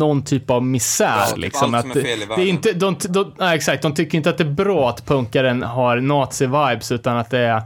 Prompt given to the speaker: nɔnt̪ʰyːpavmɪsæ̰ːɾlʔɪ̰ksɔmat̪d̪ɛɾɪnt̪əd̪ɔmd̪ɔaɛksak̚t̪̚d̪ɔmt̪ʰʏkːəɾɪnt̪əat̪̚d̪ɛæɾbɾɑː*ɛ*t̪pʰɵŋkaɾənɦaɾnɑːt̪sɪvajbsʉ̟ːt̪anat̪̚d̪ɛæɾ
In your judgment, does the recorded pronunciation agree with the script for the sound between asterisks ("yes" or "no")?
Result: no